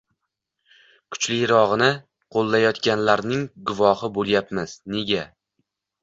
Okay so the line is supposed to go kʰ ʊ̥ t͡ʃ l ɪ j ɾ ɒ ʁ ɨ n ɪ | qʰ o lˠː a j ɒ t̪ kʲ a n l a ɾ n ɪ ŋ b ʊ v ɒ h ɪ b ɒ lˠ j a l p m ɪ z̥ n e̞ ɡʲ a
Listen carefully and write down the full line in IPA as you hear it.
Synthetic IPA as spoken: kʰ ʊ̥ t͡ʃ l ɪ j ɾ ɒ ʁ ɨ n ɪ | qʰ o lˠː a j ɒ t̪ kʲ a n l a ɾ n ɪ ŋ ɡ ʊ v ɒ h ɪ b o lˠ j a p m ɪ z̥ n e̞ ɡʲ a